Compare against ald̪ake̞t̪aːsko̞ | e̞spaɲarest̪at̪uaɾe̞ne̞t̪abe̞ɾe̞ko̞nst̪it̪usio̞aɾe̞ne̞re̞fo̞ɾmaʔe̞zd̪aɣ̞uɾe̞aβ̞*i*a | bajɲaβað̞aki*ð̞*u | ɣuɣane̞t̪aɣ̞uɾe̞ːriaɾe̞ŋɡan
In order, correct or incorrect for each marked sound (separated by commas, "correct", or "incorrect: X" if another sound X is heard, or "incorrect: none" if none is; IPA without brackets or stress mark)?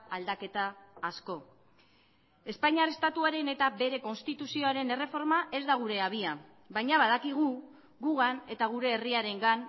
correct, incorrect: ɣ̞